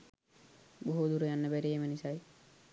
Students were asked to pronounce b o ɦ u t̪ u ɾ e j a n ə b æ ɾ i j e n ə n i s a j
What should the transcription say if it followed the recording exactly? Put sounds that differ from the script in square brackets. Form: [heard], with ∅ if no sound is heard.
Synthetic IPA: b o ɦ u [d̪] u ɾ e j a [nː] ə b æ ɾ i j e [m] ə n i s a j